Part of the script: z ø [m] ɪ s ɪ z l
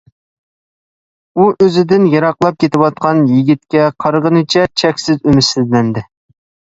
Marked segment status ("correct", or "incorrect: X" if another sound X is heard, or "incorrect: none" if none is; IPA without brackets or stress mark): correct